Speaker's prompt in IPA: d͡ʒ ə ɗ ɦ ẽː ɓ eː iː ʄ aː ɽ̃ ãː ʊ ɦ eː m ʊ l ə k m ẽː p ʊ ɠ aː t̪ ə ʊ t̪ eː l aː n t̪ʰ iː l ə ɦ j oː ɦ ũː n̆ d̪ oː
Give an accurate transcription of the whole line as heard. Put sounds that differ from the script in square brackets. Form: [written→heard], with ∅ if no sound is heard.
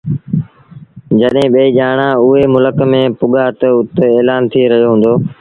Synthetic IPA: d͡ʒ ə ɗ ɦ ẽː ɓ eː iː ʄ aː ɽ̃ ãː ʊ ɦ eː m ʊ l ə k m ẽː p ʊ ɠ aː t̪ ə ʊ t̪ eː l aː n t̪ʰ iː [l→ɾ] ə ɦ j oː ɦ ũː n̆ d̪ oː